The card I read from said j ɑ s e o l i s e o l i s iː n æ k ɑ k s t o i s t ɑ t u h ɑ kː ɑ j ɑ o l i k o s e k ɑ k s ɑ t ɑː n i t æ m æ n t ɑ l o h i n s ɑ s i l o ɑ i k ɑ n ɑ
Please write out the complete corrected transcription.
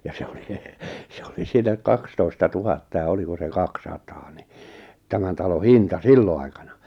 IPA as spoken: j ɑ s e o l i s e o l i s iː n æ k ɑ k s t o i s t ɑ t u h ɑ tː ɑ j ɑ o l i k o s e k ɑ k s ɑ t ɑː n i t æ m æ n t ɑ l o h i n t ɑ s i lː o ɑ i k ɑ n ɑ